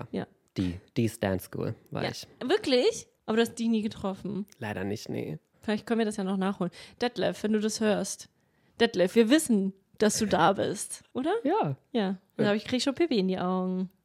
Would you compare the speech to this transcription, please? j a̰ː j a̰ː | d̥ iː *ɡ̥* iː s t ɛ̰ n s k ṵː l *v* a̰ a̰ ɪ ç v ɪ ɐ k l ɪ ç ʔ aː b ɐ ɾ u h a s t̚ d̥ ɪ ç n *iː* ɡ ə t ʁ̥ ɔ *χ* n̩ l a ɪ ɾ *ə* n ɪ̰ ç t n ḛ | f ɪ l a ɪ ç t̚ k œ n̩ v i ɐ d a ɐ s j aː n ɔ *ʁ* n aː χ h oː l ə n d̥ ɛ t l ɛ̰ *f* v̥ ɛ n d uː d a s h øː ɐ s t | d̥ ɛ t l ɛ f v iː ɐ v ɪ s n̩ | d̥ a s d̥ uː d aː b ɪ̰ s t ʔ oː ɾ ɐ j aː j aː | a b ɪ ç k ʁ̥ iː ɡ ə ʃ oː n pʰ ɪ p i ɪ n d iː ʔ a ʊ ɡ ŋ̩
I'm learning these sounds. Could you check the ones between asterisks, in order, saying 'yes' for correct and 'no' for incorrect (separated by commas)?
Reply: no, yes, yes, no, no, no, yes